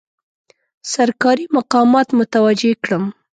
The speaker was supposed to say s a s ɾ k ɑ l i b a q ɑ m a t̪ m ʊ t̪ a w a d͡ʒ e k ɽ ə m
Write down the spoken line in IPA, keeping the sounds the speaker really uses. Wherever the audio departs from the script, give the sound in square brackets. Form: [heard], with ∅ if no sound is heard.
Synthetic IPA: s a [∅] ɾ k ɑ [ɾ] i [m] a q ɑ m [ɑ] t̪ m ʊ t̪ a w a d͡ʒ e k ɽ ə m